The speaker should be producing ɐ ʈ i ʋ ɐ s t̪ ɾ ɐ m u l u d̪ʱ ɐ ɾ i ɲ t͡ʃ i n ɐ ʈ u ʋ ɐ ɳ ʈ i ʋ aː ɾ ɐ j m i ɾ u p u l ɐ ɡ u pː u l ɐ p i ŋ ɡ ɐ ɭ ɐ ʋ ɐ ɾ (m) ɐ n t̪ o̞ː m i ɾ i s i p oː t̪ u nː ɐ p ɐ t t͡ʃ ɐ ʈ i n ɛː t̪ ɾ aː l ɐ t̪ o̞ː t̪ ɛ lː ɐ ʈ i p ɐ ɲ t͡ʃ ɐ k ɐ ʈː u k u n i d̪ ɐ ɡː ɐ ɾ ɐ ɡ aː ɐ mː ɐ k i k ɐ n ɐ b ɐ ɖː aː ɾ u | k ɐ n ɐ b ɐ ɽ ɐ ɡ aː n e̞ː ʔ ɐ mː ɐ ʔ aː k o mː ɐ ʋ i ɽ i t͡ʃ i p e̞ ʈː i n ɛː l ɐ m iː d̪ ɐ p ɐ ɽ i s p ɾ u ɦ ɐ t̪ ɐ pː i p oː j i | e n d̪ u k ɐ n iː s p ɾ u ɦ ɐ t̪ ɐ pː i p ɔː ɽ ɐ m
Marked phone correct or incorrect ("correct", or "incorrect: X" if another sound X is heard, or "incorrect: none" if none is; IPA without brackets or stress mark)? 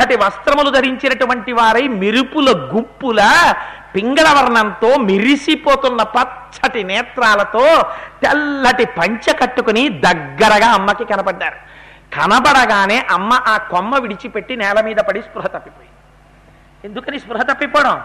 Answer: incorrect: ɳ